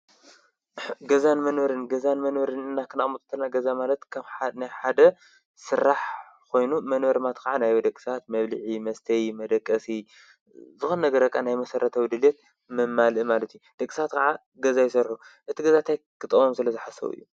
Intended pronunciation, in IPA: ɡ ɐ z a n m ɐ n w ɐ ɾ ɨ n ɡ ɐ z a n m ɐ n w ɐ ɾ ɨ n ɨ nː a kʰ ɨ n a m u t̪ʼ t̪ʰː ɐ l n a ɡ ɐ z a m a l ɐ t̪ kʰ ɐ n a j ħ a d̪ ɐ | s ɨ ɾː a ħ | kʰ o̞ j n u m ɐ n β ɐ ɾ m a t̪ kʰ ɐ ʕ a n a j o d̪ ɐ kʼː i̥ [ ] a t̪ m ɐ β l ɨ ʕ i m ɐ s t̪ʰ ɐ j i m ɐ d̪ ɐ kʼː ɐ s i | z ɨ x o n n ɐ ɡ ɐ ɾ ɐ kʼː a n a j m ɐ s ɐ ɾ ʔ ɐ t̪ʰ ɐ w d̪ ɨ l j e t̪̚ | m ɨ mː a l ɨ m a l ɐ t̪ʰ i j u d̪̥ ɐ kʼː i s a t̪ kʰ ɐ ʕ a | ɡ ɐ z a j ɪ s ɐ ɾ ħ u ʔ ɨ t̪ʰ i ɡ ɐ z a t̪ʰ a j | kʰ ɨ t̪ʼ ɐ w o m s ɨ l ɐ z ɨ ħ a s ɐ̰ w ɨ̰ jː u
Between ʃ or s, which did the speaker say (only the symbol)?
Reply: s